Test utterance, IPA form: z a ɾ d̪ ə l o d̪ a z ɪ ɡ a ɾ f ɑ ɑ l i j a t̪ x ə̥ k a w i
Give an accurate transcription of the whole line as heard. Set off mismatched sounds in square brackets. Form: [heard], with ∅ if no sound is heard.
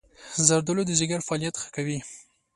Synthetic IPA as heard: z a ɾ d̪ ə l o d̪ [ə] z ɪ ɡ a ɾ f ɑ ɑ l i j a t̪ x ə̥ k a w i

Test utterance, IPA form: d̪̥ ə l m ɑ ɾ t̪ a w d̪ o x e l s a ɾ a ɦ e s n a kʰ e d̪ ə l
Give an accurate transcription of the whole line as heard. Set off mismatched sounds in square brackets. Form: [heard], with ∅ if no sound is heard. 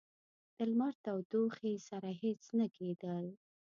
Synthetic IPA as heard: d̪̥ ə l m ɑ ɾ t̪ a w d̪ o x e [∅] s a ɾ a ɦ e [t͡s] n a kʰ e d̪ ə l

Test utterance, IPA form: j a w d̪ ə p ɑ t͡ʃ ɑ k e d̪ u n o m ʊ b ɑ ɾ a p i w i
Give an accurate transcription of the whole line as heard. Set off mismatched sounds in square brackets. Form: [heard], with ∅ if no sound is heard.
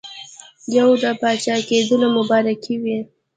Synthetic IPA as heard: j a w d̪ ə p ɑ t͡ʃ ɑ k e d̪ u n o m ʊ b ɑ ɾ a [k] i w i

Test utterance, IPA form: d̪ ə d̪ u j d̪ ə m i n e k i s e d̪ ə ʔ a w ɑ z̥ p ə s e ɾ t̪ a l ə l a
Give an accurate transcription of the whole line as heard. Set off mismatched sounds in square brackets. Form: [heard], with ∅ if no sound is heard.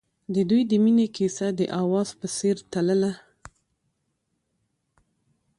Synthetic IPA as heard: d̪ ə d̪ u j d̪ ə m i n e k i s [a] d̪ ə ʔ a w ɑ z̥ p ə s e ɾ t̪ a l ə l a

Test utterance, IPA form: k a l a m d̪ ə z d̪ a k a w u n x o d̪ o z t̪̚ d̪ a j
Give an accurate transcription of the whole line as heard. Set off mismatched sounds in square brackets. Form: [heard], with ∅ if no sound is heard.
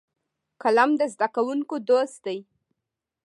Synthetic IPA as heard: k a l a m d̪ ə z d̪ a k a w u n [k] o d̪ o [s] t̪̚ d̪ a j

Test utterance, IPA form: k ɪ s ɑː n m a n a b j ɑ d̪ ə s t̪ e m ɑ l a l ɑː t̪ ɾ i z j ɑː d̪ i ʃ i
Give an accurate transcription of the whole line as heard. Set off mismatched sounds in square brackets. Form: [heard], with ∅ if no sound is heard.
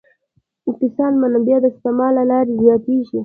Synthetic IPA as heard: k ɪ s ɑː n m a n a b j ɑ d̪ ə s t̪ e m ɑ l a l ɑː [∅] ɾ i z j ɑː [t̪] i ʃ i

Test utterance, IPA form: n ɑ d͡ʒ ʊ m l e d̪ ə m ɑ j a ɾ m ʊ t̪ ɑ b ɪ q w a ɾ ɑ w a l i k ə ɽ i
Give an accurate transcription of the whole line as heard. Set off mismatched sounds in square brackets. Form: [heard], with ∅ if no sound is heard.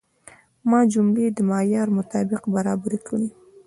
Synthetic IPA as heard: [m] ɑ d͡ʒ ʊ m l e d̪ ə m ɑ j [ɑ] ɾ m ʊ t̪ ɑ b ɪ q [b] a ɾ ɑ [b] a [ɾ] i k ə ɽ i

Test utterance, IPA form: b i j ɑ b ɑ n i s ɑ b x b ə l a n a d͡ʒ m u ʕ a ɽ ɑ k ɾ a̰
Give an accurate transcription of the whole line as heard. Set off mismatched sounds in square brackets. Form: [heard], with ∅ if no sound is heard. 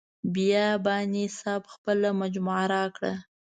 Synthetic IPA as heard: b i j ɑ b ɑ n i s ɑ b x [p] ə l a [m] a d͡ʒ m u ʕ a [ɾ] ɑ k [ɽ] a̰

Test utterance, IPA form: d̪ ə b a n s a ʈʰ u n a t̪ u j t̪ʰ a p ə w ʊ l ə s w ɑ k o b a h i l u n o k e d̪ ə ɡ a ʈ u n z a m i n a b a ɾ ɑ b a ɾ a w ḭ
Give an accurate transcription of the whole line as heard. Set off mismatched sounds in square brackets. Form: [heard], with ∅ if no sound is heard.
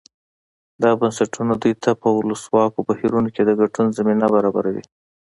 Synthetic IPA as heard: d̪ [ɑ] b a n s a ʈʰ u n a [d̪] u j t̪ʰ a p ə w ʊ l ə s w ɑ k o b a h i [ɾ] u n o k e d̪ ə ɡ a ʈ u n z a m i n a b a ɾ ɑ b a ɾ a w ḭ

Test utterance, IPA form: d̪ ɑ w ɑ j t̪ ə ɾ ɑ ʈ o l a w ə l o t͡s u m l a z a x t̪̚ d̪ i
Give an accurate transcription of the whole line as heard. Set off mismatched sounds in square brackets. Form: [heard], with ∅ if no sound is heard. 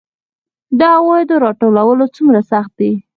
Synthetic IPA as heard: d̪ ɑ w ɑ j [d̪] ə ɾ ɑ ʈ o l a w ə l o t͡s u m [ɾ] a [s] a x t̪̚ d̪ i

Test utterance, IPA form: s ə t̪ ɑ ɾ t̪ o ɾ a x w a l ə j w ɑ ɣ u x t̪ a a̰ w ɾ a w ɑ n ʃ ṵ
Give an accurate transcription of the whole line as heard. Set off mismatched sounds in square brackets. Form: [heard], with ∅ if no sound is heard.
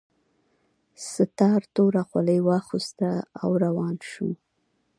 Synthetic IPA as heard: s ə t̪ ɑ ɾ t̪ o ɾ a x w a l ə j w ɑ [x] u [s] t̪ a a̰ w ɾ a w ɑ n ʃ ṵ

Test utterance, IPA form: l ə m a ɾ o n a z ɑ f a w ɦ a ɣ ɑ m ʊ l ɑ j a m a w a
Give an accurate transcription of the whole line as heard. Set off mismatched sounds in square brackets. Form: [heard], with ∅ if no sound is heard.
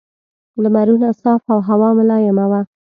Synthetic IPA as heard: l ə m a ɾ [u] n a [s] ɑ f a w ɦ a [w] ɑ m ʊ l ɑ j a m a w a

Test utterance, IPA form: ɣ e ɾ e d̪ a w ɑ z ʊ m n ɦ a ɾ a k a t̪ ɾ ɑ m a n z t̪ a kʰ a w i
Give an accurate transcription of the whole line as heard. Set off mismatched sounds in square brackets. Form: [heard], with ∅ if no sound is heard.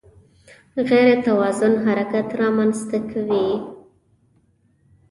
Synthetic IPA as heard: ɣ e ɾ e [t̪] a w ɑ z ʊ [∅] n ɦ a ɾ a k a t̪ ɾ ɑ m a n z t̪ a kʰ a w i

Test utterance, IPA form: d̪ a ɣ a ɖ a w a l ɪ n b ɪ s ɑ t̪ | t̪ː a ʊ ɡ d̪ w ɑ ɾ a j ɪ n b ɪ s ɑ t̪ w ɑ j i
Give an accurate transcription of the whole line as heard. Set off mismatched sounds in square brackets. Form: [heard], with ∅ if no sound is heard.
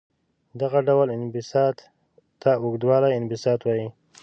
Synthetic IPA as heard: d̪ a ɣ a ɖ a w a l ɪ n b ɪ s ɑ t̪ | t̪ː a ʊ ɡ d̪ w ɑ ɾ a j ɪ n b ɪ s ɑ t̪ w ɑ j i

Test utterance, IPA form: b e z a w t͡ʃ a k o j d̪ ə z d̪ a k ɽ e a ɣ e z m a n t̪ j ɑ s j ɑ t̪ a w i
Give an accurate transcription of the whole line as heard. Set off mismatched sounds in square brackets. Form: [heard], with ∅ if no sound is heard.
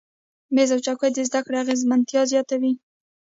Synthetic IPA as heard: [m] e z a w t͡ʃ a k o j d̪ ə z d̪ a k ɽ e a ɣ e z m a n t̪ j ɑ [z] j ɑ t̪ a w i

